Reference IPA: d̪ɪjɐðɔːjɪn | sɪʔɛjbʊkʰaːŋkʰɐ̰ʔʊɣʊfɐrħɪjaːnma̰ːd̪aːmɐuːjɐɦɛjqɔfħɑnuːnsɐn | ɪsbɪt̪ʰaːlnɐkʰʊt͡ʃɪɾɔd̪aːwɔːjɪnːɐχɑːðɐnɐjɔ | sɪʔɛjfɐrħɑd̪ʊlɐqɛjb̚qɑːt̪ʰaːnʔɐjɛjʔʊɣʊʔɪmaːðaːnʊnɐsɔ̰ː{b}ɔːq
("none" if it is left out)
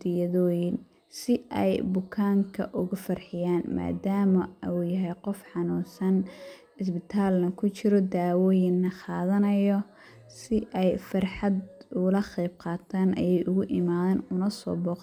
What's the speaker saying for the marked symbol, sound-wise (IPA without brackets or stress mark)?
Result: b